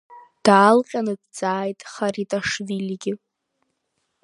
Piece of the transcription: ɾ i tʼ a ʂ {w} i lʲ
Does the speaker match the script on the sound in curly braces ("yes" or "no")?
no